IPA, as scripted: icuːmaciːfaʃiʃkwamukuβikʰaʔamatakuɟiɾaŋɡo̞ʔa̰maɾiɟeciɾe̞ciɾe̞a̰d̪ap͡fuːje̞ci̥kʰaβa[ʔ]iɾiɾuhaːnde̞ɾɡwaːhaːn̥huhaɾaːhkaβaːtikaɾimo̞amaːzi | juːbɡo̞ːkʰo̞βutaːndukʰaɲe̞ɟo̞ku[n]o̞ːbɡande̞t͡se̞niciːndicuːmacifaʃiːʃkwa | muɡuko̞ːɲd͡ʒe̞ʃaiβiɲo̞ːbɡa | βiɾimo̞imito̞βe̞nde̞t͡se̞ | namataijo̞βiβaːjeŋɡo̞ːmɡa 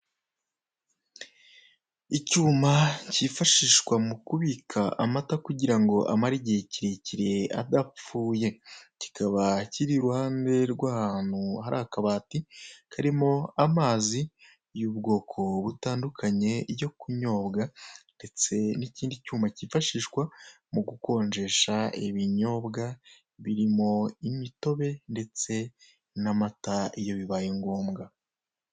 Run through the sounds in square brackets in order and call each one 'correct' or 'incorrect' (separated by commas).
incorrect, incorrect